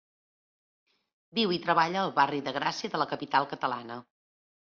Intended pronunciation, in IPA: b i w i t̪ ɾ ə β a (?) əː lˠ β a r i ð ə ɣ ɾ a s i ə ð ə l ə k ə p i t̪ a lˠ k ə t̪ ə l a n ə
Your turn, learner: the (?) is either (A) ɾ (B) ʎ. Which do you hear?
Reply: B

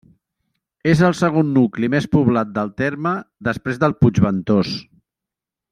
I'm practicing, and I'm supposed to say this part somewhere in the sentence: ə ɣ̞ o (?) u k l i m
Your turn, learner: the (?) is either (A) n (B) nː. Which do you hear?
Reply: B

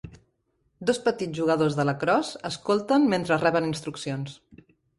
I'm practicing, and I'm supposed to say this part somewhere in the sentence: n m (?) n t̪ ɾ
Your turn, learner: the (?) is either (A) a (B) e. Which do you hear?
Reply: B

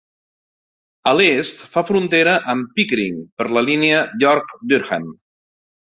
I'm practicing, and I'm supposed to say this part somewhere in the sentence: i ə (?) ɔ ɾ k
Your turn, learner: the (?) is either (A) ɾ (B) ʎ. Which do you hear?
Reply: B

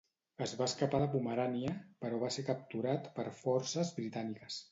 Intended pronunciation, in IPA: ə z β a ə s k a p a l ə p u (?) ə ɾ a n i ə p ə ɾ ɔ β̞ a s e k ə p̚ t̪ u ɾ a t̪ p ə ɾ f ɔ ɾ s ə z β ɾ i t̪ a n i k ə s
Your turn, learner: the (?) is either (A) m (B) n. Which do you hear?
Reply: A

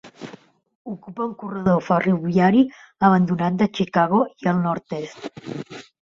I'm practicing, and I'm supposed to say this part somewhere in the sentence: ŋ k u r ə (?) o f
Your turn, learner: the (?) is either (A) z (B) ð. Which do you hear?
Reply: B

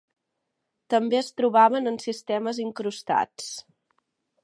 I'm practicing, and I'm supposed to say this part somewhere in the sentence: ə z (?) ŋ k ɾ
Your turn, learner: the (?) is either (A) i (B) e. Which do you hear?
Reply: A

